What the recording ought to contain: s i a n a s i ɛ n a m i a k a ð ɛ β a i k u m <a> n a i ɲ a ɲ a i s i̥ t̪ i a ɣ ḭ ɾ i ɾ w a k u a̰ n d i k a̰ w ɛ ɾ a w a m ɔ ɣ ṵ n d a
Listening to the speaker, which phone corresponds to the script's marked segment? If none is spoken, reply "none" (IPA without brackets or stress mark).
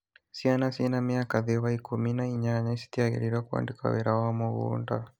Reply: i